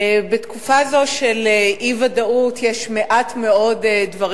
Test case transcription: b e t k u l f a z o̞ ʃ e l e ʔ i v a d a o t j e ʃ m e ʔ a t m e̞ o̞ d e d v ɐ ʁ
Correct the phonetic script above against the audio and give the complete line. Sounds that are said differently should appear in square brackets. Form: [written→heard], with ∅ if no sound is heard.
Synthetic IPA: b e t k u [l→∅] f a z o̞ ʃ e l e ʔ i v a d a [o→u] t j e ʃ m e ʔ a t m e̞ o̞ d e d v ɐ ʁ